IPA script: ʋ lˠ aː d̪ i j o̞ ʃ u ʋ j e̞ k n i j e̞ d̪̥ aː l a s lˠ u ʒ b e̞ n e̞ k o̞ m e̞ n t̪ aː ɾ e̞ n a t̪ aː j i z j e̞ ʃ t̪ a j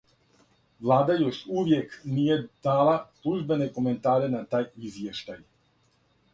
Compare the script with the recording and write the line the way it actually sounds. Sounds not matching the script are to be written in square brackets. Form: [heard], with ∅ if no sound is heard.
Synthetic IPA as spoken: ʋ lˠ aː d̪ [a] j o̞ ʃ u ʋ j e̞ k n i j e̞ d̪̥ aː l a s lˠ u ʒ b e̞ n e̞ k o̞ m e̞ n t̪ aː ɾ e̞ n a t̪ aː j i z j e̞ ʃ t̪ a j